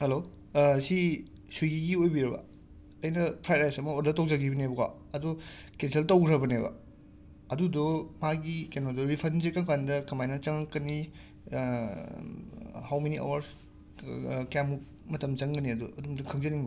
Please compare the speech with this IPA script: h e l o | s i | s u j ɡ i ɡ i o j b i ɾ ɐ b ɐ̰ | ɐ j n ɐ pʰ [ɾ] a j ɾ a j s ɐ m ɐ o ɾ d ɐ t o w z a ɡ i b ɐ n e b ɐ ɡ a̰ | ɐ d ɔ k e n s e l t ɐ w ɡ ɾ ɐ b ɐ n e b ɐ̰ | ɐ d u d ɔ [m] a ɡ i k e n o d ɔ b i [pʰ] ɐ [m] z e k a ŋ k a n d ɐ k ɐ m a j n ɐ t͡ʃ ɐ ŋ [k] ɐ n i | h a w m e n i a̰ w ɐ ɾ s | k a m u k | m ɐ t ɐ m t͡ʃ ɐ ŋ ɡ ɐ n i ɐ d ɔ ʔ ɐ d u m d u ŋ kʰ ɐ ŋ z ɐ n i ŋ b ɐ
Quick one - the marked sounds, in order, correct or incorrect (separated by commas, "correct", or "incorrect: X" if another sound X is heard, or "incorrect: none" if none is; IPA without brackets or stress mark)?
correct, correct, correct, incorrect: n, correct